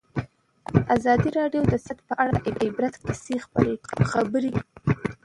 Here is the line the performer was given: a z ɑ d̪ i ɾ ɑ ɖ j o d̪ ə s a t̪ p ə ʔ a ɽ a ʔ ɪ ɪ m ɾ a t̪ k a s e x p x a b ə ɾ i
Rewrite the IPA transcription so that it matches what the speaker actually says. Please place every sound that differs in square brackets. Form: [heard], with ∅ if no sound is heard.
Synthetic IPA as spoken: a z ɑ d̪ i ɾ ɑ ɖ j o d̪ ə s a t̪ p ə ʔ a ɽ a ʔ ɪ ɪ [b] ɾ a t̪ k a s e x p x a b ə ɾ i